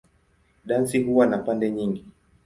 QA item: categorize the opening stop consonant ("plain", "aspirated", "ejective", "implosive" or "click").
implosive